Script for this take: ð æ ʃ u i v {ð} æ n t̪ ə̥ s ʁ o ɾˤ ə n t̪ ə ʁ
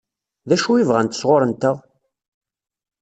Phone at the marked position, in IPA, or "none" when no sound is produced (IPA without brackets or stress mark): ʁ